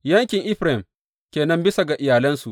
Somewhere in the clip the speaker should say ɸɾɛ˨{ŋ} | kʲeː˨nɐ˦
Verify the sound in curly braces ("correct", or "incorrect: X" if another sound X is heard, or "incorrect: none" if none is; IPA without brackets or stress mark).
incorrect: m